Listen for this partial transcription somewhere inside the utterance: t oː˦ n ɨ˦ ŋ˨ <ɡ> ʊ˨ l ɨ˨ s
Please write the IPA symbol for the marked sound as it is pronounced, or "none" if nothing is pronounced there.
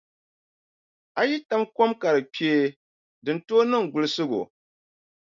ɡ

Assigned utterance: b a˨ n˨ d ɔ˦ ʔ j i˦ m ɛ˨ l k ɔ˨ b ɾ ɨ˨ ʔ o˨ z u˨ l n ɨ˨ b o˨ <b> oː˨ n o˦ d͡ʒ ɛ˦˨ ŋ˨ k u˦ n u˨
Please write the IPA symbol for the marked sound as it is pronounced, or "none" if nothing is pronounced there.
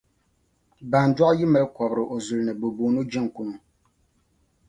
b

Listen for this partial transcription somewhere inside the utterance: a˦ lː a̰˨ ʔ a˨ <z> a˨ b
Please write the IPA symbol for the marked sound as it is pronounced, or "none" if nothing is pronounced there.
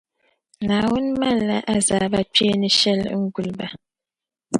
z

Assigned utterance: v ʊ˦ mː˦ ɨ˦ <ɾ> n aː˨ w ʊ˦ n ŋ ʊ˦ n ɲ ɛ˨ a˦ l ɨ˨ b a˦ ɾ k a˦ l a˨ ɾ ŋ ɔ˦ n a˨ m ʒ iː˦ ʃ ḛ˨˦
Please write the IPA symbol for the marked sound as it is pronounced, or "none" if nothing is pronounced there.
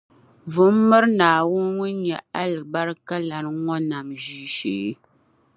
ɾ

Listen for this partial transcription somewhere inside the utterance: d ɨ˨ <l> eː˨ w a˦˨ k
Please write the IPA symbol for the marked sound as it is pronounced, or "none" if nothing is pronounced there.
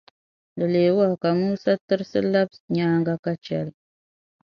l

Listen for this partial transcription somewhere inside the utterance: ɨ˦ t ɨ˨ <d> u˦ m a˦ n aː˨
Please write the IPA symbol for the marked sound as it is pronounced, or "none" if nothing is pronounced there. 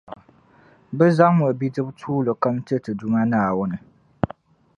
d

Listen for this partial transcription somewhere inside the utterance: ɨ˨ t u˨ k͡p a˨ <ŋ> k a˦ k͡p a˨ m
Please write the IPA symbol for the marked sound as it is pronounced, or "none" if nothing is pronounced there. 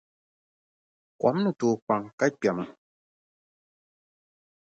ŋ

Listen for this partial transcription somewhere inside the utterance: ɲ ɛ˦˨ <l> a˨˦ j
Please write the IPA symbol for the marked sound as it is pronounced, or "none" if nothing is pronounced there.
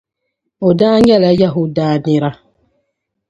l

